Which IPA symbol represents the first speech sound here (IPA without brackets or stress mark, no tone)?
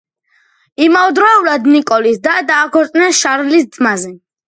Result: i